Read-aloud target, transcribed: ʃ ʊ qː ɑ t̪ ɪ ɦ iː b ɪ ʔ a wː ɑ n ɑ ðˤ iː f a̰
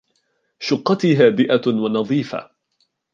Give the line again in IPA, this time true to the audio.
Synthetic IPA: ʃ ʊ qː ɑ t̪ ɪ ɦ aː b ɪ ʔ a w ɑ n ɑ ðˤ iː f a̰